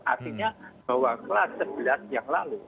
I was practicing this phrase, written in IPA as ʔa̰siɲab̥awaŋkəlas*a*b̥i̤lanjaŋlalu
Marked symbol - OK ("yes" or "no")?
no